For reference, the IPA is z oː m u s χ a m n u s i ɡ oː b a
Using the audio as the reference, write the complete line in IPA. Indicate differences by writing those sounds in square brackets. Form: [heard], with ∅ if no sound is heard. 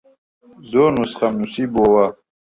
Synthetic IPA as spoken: z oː [n] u s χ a m n u s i [b] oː [w] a